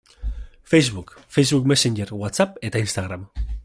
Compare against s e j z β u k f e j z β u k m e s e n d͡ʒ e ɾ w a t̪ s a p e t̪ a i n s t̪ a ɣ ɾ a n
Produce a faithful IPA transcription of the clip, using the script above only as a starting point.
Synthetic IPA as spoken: f e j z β u k f e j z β u k m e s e n d͡ʒ e ɾ w a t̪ s a p e t̪ a i n s t̪ a ɣ ɾ a m